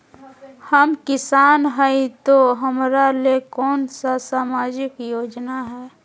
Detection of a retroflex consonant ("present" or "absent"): absent